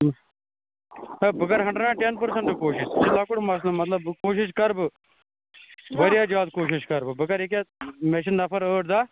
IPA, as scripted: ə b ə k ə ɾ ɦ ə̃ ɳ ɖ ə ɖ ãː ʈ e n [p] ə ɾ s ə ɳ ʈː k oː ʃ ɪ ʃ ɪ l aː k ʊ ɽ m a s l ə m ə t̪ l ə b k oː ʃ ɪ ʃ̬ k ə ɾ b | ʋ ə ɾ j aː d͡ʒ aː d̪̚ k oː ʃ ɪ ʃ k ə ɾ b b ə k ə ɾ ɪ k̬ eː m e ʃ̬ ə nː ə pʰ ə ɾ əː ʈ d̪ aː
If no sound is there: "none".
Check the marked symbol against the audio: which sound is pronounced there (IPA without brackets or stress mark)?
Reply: p